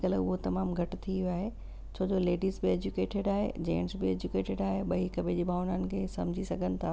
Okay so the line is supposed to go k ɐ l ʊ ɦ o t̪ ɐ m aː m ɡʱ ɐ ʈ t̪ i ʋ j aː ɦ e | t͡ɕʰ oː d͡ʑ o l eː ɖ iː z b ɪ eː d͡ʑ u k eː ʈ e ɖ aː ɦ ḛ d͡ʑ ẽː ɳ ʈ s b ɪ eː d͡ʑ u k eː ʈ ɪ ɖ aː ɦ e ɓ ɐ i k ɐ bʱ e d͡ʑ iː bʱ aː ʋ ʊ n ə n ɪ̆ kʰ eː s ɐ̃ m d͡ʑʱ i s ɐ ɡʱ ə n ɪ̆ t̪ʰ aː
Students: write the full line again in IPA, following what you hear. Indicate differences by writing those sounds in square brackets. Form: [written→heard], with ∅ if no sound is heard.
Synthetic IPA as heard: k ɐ l ʊ ɦ o t̪ ɐ m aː m ɡʱ ɐ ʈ [t̪→t̪ʰ] i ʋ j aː ɦ e | t͡ɕʰ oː d͡ʑ o l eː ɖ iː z b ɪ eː d͡ʑ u k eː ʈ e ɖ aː ɦ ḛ d͡ʑ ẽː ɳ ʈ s b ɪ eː d͡ʑ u k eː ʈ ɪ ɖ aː ɦ e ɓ ɐ i k ɐ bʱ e d͡ʑ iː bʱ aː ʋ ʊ n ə n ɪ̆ kʰ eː s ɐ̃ m d͡ʑʱ i s ɐ ɡʱ ə n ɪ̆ t̪ʰ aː